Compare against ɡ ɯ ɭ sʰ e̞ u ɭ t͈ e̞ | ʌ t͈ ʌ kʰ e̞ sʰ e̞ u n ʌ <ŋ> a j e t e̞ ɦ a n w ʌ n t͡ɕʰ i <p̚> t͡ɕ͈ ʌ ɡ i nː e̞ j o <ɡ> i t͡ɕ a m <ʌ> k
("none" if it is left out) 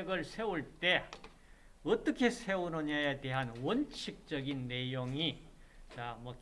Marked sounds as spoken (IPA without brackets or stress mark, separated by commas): ɲ, k̚, ŋ, ʌ